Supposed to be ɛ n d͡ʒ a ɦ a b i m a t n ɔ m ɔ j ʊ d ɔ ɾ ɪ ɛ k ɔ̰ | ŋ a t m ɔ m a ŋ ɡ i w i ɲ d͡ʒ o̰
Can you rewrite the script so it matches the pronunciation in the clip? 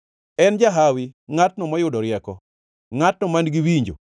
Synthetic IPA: ɛ n d͡ʒ a ɦ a w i ŋ a t n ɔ m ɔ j ʊ d ɔ ɾ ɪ ɛ k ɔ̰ | ŋ a t n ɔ m a n ɡ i w i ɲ d͡ʒ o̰